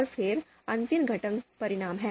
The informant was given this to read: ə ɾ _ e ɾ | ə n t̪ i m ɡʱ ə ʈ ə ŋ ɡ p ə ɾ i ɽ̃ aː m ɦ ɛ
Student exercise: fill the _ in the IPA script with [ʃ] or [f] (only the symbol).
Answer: f